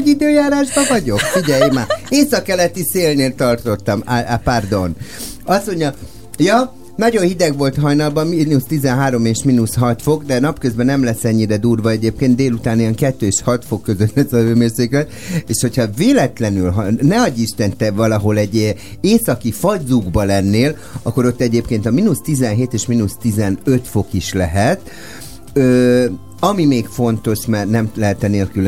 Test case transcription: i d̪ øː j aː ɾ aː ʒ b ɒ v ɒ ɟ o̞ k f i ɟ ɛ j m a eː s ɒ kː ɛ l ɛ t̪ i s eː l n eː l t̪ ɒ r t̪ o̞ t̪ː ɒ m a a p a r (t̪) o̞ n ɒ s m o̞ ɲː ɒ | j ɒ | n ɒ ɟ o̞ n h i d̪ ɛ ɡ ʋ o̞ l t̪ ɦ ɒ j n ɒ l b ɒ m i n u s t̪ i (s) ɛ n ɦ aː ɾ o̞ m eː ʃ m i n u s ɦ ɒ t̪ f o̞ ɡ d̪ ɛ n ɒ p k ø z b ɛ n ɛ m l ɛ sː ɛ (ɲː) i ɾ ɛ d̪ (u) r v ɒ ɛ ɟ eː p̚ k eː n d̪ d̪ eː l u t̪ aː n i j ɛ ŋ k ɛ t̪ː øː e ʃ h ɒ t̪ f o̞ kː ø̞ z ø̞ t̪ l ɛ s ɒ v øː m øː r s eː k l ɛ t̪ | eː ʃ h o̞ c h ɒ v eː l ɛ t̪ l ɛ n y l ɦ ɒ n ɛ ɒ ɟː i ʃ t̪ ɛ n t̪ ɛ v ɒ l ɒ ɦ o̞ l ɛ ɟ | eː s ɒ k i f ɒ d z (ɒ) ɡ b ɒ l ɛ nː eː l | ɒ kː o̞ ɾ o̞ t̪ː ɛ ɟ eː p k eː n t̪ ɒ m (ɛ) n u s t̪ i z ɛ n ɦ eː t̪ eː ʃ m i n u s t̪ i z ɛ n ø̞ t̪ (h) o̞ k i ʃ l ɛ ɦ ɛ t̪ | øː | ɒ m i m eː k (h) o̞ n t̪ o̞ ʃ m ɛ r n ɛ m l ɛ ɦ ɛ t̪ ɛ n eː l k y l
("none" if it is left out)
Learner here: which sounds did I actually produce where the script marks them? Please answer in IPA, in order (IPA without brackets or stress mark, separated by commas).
d̪, z, ɲː, uː, u, i, f, f